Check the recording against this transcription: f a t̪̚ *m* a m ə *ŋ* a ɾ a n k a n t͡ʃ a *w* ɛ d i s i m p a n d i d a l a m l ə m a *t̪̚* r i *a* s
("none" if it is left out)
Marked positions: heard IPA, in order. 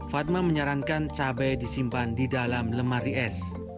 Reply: m, ɲ, b, none, ɛ

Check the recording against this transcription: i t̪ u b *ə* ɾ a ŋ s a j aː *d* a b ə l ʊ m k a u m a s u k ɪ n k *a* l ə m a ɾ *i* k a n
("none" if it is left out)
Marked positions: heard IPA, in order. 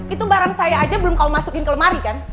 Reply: a, d͡ʒ, ə, i

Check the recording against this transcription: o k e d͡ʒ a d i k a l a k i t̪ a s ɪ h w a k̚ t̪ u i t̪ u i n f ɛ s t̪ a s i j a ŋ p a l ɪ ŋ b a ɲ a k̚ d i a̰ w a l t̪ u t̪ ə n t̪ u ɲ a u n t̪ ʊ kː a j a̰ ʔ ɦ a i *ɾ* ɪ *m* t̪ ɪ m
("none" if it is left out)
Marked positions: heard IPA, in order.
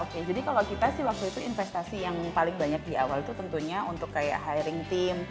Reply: ɾ, ŋ

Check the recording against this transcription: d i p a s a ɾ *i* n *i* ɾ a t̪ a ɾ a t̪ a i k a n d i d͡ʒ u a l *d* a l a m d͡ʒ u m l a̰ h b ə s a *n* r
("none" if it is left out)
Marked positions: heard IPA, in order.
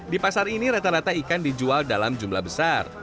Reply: i, i, d, none

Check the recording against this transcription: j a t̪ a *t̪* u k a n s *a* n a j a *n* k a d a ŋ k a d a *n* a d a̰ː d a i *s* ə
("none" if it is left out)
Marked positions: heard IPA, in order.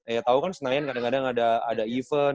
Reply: none, ə, n, ŋ, f

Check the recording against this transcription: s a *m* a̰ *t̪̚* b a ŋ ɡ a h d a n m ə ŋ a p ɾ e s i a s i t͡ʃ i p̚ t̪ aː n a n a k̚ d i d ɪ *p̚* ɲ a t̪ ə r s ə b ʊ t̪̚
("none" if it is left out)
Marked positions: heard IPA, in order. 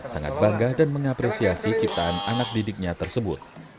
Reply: ŋ, t̪̚, k̚

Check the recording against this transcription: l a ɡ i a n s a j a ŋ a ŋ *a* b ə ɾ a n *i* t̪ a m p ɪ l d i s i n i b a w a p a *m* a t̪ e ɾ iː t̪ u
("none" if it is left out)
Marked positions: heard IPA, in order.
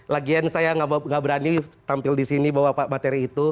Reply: a, i, m

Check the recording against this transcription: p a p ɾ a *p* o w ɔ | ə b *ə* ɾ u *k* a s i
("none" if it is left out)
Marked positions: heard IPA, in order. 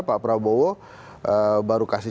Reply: b, a, k

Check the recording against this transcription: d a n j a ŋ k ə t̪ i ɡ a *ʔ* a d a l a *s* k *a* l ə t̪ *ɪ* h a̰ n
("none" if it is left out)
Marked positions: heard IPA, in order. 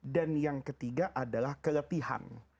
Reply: ʔ, h, ə, i

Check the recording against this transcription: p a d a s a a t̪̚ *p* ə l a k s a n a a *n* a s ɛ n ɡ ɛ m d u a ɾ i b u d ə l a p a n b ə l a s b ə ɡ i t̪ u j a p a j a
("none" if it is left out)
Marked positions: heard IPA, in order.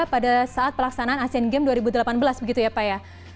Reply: p, n

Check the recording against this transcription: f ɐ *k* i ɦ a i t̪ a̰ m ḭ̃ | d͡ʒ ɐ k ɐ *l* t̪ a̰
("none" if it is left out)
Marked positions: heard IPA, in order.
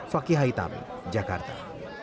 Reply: k, ɾ

